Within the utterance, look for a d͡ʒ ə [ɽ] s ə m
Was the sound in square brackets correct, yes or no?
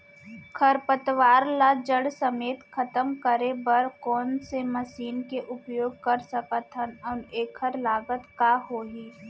yes